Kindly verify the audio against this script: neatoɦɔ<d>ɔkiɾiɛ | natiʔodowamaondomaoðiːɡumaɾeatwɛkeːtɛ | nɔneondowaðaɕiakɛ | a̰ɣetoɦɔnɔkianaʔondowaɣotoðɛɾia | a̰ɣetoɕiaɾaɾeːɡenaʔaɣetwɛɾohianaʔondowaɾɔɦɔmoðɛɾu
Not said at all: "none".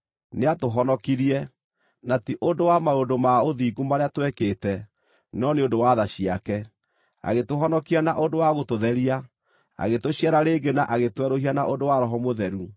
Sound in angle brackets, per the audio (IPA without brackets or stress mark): n